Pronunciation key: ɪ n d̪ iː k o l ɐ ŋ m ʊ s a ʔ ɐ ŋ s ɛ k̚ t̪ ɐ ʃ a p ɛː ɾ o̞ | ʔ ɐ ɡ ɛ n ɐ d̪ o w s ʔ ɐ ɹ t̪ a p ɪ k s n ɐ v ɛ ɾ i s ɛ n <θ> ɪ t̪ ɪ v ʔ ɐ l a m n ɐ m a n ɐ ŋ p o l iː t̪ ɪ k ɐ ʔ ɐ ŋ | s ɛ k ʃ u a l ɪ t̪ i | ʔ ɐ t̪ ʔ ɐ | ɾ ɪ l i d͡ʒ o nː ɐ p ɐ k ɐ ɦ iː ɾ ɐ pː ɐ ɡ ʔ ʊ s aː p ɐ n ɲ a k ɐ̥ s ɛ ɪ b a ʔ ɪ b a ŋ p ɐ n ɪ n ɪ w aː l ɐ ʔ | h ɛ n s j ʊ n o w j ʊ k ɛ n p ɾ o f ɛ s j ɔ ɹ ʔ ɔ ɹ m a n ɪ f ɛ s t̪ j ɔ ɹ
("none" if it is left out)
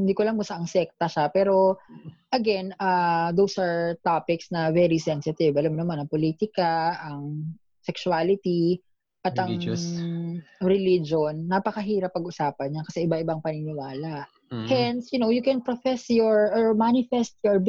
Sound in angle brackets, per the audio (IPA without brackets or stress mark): s